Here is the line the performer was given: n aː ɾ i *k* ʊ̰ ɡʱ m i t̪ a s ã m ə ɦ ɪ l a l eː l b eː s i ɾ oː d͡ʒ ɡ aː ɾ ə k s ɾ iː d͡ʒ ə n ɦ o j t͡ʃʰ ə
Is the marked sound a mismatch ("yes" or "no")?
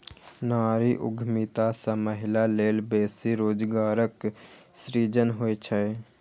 yes